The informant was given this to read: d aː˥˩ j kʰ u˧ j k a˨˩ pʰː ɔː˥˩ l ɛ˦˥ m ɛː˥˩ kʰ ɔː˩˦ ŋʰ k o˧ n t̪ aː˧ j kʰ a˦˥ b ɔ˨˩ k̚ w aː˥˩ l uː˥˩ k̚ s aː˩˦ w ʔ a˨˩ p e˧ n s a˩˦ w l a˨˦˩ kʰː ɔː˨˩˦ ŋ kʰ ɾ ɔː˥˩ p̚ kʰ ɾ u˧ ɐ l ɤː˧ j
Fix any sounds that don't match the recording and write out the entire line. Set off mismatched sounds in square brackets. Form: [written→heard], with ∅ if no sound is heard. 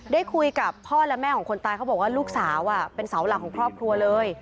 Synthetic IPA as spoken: d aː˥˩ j kʰ u˧ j k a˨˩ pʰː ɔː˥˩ l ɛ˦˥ m ɛː˥˩ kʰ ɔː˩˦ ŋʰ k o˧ n t̪ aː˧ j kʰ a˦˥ b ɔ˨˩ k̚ w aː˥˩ l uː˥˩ k̚ s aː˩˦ w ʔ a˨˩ p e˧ n s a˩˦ w l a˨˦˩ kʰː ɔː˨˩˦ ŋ kʰ ɾ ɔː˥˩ p̚ kʰ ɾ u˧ ɐ l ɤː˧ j